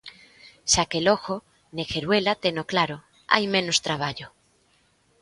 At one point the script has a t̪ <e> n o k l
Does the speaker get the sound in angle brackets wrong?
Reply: no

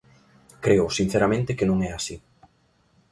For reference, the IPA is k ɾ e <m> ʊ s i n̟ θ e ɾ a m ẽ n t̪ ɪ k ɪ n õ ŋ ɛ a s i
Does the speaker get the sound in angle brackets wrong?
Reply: yes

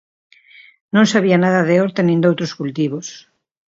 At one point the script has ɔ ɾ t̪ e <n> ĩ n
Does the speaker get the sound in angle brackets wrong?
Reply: no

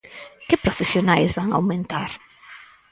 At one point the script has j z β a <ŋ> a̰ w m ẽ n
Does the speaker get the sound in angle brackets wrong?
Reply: no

